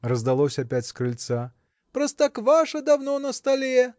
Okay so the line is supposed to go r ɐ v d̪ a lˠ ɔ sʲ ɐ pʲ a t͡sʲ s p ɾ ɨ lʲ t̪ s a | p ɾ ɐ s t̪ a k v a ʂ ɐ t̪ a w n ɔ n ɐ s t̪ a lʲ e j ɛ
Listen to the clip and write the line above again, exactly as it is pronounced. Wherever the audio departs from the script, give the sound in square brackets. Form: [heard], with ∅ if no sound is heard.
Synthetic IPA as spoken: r ɐ [z] d̪ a lˠ ɔ sʲ ɐ pʲ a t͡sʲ s [k] ɾ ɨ lʲ t̪ s a | p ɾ ɐ s t̪ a k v a ʂ ɐ [d̪] a w n ɔ n ɐ s t̪ a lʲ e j ɛ